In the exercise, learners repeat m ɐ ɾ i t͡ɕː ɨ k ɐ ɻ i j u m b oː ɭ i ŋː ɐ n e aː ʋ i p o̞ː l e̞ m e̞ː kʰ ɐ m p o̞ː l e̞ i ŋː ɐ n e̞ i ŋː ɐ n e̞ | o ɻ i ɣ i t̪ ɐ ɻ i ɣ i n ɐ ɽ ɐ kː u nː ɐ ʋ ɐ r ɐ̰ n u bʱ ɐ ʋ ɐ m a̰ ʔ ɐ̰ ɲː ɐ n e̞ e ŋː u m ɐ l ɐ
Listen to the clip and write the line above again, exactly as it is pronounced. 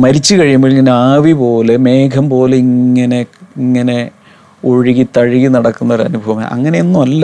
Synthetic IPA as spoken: m ɐ ɾ i t͡ɕː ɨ k ɐ ɻ i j u m b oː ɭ i ŋː ɐ n e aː ʋ i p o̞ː l e̞ m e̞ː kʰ ɐ m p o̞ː l e̞ i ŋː ɐ n e̞ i ŋː ɐ n e̞ | o ɻ i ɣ i t̪ ɐ ɻ i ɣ i n ɐ ɽ ɐ kː u nː ɐ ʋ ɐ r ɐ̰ n u bʱ ɐ ʋ ɐ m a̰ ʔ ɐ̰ ŋː ɐ n e̞ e nː u m ɐ lː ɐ